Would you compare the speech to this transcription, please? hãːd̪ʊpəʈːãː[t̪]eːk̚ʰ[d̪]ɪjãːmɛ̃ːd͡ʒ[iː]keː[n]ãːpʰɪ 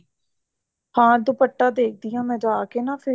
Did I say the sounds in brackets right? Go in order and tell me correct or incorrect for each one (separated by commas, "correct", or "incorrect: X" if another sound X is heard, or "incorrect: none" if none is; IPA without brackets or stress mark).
incorrect: d̪, correct, incorrect: aː, correct